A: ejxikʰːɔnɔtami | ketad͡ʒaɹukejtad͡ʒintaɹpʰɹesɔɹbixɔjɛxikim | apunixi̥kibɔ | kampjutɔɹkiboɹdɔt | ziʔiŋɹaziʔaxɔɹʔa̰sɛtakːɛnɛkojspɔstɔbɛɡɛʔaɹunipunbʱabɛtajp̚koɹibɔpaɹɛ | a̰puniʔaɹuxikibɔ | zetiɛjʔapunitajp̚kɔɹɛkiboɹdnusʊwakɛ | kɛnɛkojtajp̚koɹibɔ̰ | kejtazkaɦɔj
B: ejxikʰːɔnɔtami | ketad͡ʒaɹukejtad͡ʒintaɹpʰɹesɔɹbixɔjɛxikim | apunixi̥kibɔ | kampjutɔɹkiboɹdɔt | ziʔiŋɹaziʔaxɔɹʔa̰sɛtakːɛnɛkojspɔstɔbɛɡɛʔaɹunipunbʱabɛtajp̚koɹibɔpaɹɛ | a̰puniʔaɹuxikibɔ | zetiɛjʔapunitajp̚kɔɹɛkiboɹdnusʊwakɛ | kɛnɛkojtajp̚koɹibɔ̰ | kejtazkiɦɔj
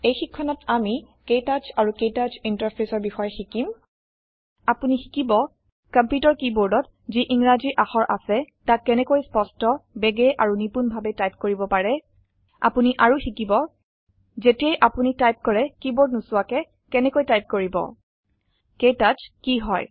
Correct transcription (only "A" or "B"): B